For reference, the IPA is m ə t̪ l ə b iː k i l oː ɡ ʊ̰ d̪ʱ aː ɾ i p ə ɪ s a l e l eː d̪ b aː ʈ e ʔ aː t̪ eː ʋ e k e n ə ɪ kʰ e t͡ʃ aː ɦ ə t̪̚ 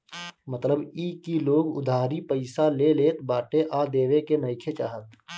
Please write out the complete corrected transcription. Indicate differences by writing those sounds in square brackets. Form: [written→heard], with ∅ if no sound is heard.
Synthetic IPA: m ə t̪ l ə b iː k i l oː ɡ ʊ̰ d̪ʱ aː ɾ i p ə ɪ s a l e l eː [d̪→t̪] b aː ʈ e ʔ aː [t̪→d̪] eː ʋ e k e n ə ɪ kʰ e t͡ʃ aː ɦ ə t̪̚